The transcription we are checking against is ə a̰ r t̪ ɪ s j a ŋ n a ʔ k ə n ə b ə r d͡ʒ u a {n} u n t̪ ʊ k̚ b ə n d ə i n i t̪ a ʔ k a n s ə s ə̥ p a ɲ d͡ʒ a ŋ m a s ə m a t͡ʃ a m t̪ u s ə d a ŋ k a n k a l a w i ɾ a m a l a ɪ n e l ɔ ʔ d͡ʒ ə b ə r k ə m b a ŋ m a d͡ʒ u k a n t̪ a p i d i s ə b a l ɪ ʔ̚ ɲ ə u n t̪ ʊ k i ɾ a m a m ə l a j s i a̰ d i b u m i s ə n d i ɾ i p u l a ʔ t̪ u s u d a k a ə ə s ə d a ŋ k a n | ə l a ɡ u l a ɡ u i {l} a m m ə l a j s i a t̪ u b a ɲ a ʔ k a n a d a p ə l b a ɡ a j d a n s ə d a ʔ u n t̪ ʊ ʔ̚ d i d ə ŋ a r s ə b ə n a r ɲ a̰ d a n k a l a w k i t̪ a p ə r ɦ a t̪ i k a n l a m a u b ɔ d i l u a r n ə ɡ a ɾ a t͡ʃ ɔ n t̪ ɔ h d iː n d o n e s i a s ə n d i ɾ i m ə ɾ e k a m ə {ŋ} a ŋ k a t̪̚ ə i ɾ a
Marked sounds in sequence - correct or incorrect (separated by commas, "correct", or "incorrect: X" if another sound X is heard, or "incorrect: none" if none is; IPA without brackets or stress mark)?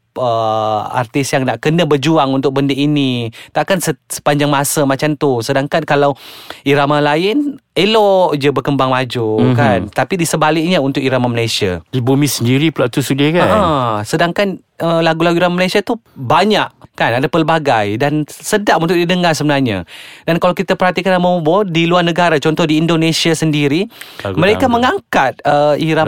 incorrect: ŋ, incorrect: ɾ, correct